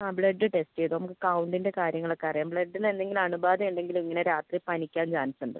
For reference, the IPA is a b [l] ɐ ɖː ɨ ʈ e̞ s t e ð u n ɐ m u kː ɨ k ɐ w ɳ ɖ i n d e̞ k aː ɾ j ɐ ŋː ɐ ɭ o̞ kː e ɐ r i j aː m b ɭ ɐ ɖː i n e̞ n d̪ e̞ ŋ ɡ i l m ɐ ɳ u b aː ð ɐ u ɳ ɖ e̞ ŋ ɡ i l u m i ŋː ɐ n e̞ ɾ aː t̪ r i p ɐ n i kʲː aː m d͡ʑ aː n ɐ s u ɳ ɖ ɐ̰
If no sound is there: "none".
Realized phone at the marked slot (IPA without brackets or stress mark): ɭ